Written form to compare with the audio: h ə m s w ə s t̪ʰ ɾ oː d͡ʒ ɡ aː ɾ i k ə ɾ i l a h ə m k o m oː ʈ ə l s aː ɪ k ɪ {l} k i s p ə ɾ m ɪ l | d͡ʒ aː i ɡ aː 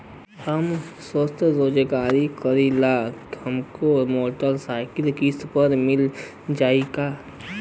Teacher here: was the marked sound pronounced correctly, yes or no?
yes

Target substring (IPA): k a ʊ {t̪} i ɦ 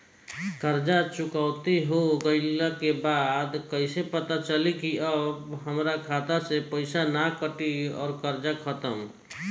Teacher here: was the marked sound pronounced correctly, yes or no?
yes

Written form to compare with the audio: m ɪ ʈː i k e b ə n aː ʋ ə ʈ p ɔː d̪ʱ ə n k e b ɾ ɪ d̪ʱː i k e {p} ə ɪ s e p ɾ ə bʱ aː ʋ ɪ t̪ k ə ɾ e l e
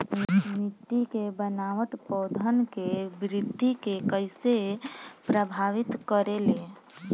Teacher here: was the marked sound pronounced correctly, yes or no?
no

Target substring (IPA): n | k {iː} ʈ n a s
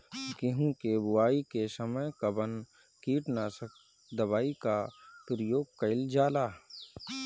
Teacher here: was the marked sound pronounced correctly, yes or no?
yes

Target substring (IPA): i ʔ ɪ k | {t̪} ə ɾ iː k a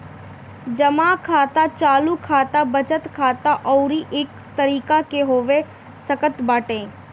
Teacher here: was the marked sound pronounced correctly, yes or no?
yes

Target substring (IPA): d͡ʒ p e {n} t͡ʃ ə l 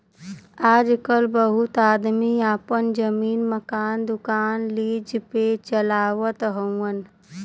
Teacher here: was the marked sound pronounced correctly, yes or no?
no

